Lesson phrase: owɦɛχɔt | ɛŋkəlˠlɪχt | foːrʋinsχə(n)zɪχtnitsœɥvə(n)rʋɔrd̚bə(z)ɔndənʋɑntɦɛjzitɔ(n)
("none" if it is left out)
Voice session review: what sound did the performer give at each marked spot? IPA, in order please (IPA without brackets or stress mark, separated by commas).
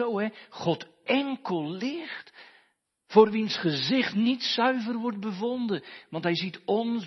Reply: none, none, v, n